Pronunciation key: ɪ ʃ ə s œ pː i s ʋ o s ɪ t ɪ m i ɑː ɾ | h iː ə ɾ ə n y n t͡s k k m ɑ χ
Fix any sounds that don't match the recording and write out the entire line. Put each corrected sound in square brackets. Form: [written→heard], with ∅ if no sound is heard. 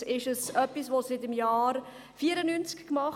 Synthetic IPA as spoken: ɪ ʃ ə s œ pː i s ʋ o s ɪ t ɪ m [i→j] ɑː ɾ | [h→f] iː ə ɾ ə n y n t͡s k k m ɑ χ